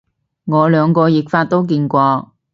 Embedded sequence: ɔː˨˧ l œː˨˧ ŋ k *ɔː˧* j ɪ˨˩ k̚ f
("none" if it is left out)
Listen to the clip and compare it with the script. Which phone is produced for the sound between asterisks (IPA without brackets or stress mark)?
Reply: ɔː˧